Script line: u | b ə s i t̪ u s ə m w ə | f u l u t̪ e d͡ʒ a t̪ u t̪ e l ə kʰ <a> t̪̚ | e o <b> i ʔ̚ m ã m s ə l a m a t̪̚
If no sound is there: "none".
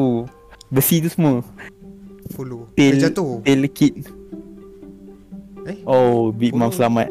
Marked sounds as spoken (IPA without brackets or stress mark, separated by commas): i, b